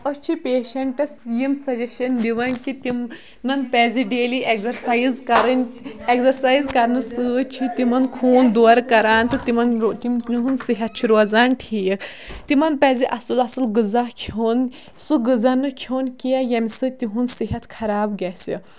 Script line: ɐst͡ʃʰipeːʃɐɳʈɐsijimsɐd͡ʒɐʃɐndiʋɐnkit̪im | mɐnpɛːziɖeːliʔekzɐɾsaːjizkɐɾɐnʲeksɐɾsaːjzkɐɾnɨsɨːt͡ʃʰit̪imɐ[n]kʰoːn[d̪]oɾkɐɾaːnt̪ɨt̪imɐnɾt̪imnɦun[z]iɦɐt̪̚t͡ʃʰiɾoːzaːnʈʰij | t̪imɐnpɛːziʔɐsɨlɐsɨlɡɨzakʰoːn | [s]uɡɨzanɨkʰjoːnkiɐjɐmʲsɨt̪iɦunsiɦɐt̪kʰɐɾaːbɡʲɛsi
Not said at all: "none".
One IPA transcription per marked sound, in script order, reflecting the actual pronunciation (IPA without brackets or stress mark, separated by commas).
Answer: n, d̪, s, s